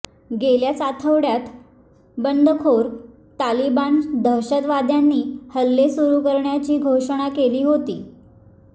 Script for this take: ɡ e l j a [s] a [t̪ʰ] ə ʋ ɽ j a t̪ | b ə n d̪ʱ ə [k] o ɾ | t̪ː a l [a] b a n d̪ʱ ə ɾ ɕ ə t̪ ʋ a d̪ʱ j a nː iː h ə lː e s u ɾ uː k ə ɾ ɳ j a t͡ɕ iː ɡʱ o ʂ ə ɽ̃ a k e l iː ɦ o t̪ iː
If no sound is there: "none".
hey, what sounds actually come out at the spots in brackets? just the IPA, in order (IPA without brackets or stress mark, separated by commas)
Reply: t͡s, t̪ʰ, kʰ, i